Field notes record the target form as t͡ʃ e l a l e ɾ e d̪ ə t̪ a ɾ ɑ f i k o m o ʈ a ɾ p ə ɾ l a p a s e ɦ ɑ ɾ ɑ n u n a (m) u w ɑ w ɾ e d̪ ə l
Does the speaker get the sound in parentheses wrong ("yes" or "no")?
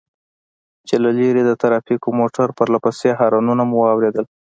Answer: no